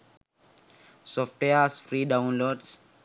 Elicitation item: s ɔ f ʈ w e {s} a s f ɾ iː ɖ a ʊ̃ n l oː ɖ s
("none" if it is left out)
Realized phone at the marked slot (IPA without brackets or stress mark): none